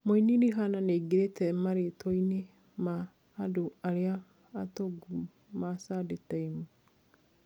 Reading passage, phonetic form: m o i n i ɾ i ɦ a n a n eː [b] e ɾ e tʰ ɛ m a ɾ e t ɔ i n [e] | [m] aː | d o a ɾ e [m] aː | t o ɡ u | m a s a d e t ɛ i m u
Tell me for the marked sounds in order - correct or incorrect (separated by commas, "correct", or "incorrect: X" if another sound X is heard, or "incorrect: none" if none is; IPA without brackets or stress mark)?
incorrect: ɡ, correct, correct, incorrect: none